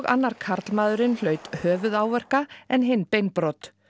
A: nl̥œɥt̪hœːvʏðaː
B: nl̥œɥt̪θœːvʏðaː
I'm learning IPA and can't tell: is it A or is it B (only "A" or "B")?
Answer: A